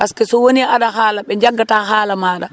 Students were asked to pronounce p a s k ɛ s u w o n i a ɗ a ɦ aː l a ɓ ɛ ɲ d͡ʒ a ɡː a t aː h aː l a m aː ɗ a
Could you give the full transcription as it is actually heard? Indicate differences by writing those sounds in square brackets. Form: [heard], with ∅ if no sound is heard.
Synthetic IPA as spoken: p a s k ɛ s [ɔ] w o n i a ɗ a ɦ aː l a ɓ ɛ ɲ d͡ʒ a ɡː a t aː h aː l a m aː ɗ a